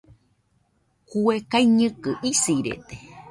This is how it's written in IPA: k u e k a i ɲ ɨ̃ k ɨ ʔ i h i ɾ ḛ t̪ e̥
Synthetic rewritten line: k u e k a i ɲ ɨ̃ k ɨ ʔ i s i ɾ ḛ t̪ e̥